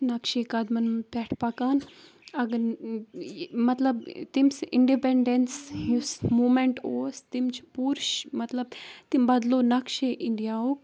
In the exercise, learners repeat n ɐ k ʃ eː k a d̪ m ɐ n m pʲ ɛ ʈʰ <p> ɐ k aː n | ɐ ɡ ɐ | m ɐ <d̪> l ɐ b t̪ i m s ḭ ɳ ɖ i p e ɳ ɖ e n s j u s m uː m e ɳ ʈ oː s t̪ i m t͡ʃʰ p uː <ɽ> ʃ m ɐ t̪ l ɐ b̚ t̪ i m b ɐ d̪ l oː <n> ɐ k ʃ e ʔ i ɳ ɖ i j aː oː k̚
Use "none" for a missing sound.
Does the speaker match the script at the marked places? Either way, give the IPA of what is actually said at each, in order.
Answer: p, t̪, ɾ, n

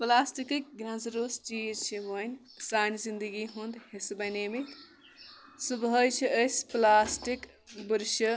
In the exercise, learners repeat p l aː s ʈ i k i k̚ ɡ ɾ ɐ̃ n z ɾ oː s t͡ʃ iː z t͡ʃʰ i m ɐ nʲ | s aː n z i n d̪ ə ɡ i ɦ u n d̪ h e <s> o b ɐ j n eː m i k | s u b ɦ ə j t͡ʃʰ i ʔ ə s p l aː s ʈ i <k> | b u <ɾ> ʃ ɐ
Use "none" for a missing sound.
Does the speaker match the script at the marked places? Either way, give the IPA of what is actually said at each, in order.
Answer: s, k, ɾ

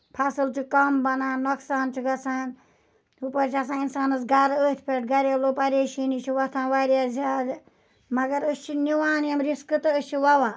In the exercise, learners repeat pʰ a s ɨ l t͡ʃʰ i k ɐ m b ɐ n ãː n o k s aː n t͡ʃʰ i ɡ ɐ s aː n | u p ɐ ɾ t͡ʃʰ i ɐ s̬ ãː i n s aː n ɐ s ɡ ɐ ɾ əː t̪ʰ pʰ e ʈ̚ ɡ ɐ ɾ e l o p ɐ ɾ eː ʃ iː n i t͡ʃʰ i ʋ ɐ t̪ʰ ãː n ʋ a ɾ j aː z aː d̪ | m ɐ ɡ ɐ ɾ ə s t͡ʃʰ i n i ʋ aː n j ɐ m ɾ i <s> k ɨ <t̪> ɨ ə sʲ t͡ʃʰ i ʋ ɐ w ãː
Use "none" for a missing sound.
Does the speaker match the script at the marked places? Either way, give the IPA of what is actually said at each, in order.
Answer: s, t̪

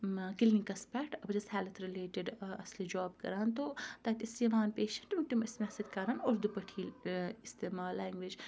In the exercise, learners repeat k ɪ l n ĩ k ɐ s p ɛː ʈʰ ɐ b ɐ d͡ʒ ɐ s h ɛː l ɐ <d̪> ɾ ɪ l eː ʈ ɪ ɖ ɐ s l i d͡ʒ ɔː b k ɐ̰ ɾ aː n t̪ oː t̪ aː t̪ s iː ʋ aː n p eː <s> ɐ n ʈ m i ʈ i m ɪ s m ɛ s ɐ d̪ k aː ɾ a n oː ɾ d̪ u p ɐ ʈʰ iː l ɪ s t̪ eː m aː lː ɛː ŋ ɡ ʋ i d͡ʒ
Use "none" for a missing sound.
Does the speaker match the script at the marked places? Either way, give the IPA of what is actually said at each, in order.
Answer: t̪, ʃ

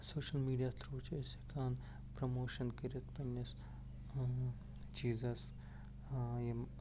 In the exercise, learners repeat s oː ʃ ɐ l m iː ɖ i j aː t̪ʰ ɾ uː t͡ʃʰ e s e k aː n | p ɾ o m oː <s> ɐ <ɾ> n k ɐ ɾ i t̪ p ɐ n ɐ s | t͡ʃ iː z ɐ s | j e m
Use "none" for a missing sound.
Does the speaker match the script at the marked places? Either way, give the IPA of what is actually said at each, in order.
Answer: ʃ, none

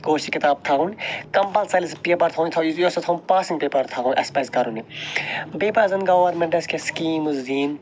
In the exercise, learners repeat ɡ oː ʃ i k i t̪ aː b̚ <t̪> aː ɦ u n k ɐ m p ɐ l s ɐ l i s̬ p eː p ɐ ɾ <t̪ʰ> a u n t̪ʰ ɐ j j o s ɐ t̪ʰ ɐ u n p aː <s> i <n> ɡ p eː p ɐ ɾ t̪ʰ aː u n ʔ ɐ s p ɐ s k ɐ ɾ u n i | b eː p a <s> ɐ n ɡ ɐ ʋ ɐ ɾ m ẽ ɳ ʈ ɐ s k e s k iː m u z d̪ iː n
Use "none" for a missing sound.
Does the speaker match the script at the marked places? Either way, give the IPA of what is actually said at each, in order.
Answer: t̪ʰ, t̪ʰ, s, ŋ, z

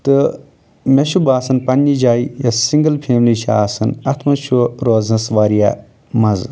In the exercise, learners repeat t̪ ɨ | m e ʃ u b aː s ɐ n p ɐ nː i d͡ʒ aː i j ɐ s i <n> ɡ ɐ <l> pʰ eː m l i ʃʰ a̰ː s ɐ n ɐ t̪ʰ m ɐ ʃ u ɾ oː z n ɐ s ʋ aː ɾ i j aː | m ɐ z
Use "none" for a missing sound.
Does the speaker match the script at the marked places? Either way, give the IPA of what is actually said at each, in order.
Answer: ŋ, l

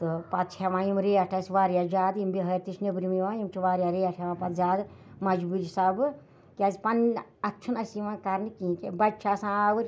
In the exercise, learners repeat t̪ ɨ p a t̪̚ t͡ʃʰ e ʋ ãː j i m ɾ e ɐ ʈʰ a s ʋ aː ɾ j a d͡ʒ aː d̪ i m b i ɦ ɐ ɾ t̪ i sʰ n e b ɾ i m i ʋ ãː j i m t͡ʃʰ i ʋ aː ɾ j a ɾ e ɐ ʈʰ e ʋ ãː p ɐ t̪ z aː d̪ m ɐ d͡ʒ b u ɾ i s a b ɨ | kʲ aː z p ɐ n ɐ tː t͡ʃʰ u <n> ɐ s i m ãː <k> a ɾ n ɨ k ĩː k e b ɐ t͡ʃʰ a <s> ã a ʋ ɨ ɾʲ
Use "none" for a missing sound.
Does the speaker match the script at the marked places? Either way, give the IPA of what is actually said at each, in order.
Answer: n, k, s

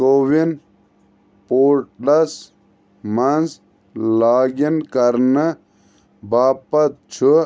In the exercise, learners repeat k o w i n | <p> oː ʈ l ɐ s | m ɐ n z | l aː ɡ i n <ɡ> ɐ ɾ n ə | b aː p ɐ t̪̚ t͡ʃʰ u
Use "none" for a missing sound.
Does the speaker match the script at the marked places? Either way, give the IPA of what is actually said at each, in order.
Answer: p, k

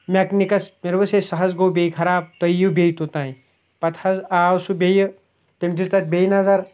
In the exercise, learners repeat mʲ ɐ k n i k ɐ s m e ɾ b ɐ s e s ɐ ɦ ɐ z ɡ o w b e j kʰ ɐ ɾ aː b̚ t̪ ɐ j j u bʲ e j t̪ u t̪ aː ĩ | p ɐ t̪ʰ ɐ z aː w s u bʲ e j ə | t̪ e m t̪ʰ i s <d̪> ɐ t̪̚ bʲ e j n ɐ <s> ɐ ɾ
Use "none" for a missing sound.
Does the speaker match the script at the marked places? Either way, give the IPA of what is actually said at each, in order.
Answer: t̪, z

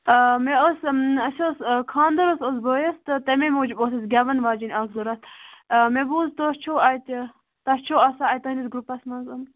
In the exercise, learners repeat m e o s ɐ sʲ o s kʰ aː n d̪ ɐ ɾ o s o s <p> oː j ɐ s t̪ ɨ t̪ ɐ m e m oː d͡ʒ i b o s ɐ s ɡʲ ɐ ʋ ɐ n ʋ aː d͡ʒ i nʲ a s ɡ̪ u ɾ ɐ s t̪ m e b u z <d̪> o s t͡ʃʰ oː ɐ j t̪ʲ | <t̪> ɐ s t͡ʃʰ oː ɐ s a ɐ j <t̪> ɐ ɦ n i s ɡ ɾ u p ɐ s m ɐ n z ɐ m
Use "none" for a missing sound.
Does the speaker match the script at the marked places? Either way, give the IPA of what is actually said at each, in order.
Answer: b, t̪, t̪, t̪

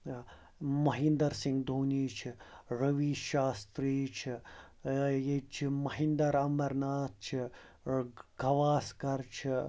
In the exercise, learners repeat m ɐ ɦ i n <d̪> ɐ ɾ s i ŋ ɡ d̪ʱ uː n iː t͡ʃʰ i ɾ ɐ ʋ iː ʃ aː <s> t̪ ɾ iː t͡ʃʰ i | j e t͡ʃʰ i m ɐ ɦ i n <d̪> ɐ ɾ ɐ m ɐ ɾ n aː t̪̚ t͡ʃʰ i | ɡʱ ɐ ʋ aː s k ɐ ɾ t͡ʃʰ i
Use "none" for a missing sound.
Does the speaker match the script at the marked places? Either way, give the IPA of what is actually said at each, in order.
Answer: d̪, s, d̪

